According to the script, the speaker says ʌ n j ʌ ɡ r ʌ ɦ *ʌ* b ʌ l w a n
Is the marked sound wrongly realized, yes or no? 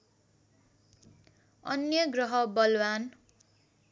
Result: no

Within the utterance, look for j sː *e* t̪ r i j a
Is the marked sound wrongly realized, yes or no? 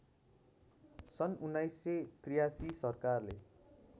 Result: no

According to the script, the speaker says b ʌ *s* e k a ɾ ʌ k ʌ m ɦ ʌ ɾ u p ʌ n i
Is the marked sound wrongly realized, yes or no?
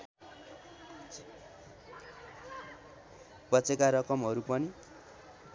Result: yes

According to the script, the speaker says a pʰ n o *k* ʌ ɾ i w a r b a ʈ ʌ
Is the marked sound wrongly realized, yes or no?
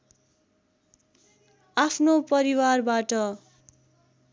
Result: yes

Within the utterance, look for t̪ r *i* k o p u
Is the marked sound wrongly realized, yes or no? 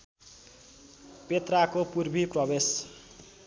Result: yes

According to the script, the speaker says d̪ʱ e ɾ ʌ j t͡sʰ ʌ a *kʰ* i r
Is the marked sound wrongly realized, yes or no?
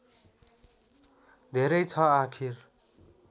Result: no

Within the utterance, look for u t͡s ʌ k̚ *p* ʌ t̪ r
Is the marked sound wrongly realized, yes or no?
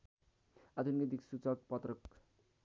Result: no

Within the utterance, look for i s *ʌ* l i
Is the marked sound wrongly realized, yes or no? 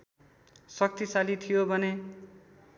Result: yes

